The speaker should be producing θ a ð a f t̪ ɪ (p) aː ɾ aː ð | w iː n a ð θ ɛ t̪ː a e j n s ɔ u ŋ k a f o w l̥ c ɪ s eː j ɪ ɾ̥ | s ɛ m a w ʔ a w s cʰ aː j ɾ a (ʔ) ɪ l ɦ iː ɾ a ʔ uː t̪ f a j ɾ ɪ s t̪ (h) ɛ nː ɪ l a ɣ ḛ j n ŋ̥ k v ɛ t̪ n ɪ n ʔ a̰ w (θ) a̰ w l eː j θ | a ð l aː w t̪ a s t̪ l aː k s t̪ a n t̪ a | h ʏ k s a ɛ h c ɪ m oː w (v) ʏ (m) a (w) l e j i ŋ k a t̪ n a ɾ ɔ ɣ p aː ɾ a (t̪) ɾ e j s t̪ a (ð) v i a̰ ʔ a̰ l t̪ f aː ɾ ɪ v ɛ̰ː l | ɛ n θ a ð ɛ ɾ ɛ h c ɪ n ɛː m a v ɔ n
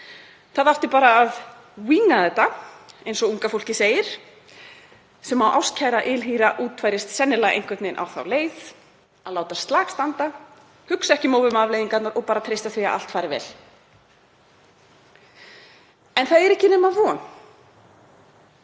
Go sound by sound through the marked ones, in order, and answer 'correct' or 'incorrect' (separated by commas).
correct, correct, incorrect, correct, correct, correct, incorrect, incorrect, incorrect